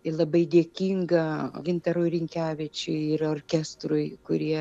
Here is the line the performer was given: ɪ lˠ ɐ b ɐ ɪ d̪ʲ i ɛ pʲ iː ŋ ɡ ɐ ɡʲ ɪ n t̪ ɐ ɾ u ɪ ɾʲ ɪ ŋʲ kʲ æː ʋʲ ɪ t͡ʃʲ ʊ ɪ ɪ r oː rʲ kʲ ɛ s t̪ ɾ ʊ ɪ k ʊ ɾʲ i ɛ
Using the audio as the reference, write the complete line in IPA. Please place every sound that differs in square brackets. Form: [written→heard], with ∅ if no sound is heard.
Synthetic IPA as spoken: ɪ lˠ ɐ b ɐ ɪ d̪ʲ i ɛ [pʲ→kʲ] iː ŋ ɡ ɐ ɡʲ ɪ n t̪ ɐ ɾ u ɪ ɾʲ ɪ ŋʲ kʲ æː ʋʲ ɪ t͡ʃʲ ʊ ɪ ɪ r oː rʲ kʲ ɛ s t̪ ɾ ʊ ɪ k ʊ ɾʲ i ɛ